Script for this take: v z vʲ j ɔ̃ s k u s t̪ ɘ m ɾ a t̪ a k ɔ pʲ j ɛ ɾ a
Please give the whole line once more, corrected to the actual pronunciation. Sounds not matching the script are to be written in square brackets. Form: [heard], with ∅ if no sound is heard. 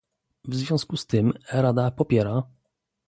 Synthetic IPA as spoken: v z vʲ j ɔ̃ s k u s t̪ ɘ m ɾ a [d̪] a [p] ɔ pʲ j ɛ ɾ a